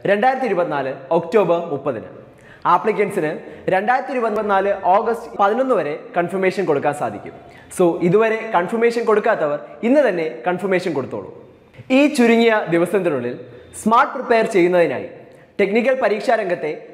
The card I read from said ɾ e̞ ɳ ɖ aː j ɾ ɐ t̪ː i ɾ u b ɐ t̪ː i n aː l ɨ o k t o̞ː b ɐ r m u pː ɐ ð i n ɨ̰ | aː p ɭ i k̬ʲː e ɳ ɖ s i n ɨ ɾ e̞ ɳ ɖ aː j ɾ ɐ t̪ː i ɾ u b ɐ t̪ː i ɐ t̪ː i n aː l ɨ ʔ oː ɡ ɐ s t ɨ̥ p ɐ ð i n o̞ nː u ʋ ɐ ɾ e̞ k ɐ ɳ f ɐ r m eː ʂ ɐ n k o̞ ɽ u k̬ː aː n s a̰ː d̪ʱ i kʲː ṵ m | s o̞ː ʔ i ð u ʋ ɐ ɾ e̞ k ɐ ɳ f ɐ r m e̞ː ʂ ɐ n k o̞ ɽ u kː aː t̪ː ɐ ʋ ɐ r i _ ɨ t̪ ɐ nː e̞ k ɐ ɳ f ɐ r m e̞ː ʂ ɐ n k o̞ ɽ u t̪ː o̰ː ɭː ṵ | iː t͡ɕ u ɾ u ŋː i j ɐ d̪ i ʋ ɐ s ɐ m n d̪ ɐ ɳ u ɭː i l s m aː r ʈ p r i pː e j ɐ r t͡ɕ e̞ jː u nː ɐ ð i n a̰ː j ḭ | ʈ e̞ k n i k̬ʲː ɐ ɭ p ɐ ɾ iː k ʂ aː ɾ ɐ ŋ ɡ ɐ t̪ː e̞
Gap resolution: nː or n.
nː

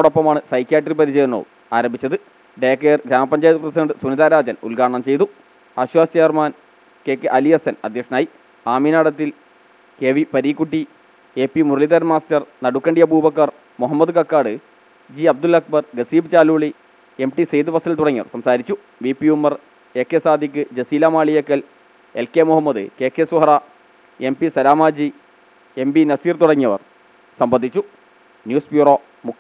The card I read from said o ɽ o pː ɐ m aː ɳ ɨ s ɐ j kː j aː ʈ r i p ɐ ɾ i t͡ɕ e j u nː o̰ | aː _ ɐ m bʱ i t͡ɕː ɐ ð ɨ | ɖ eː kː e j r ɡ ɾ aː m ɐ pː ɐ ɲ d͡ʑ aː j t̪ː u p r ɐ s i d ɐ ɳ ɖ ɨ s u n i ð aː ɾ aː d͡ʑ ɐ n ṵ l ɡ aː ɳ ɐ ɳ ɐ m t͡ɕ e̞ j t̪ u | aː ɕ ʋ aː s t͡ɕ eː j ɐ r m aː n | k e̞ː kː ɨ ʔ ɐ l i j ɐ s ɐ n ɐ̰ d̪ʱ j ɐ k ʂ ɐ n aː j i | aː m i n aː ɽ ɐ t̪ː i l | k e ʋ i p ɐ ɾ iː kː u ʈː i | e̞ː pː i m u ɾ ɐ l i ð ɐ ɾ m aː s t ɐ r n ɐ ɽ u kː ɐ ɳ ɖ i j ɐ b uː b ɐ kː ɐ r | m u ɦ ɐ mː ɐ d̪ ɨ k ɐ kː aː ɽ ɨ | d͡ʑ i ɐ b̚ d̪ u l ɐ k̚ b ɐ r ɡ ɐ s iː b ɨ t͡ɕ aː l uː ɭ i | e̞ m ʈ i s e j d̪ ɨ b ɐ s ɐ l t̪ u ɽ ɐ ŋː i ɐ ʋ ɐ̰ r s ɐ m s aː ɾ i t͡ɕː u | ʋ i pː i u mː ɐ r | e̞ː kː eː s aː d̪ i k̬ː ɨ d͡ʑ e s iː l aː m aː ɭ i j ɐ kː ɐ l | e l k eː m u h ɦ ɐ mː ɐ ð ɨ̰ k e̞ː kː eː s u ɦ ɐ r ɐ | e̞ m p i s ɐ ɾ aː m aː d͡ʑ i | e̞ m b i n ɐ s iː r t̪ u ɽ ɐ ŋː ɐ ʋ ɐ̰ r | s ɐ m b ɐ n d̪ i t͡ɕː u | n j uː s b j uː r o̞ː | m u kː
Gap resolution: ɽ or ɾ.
ɾ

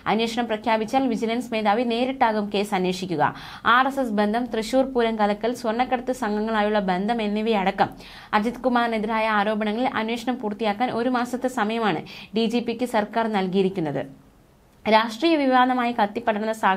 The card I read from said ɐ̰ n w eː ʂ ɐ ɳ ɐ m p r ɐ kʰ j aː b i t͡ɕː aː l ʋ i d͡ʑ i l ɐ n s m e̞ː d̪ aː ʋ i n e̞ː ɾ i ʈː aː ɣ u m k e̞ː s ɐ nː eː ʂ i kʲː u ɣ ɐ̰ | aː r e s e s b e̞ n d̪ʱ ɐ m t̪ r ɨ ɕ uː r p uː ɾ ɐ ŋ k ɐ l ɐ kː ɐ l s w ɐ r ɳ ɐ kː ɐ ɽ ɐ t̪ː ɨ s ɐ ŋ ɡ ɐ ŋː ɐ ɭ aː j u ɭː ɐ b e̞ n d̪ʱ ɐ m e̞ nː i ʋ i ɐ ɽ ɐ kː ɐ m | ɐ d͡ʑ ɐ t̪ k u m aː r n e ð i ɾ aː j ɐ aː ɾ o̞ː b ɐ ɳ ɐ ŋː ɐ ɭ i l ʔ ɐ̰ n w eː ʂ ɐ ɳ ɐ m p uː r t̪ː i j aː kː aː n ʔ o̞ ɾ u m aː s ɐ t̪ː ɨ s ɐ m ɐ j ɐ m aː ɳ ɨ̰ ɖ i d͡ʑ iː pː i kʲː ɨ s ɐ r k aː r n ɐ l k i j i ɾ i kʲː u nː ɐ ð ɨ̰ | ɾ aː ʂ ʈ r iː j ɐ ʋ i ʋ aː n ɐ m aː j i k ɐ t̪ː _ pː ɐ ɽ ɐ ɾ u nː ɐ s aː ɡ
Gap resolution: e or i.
i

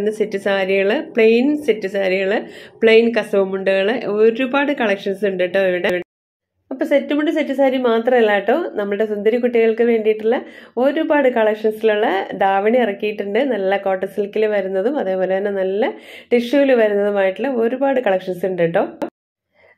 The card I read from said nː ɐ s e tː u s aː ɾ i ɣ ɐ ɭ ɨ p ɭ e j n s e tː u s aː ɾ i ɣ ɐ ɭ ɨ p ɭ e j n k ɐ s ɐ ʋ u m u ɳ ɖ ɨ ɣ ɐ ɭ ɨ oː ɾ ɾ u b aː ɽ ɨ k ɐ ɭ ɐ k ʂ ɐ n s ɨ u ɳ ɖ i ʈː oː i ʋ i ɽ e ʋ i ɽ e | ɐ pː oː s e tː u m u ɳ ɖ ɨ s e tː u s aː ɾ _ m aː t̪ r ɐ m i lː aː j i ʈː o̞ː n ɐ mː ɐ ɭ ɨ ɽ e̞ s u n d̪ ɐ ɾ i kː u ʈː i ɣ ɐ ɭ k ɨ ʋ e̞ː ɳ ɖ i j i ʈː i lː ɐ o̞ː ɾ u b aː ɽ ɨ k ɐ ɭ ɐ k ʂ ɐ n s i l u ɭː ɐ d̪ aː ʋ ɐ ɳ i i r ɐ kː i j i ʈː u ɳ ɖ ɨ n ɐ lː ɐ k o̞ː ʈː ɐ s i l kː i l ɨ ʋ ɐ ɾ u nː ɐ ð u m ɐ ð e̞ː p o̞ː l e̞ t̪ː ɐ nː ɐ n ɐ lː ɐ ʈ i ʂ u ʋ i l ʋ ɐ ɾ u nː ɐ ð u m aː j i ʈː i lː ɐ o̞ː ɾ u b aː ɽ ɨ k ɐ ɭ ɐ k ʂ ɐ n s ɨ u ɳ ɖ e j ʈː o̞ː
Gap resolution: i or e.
i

